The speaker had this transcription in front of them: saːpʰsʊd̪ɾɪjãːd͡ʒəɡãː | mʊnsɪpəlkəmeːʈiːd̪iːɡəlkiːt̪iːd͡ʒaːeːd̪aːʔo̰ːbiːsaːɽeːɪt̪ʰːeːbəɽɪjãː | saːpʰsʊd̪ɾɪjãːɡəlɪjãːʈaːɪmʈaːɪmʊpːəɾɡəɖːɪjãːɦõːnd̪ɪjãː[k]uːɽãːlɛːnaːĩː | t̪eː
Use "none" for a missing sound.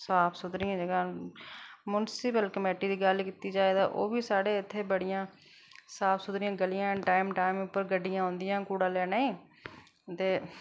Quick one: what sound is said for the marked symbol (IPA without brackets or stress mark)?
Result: k